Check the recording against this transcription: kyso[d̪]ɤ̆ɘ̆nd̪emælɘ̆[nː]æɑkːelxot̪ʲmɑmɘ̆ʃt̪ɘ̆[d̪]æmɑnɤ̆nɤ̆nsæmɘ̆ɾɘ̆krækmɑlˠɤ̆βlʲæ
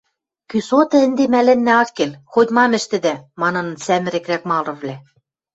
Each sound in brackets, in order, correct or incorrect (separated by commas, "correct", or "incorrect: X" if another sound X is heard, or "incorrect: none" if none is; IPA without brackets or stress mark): incorrect: t̪, correct, correct